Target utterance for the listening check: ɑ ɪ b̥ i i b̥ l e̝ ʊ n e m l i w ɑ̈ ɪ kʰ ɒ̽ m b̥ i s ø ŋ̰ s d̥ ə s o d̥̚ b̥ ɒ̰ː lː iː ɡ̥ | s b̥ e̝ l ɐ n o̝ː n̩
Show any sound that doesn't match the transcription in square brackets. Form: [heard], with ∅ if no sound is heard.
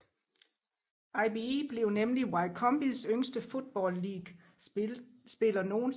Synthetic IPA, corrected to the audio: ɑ ɪ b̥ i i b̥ l e̝ ʊ n e m l i w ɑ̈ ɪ kʰ ɒ̽ m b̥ i s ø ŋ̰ s d̥ ə [f] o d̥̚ b̥ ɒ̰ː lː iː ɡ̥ | s b̥ e̝ l ɐ n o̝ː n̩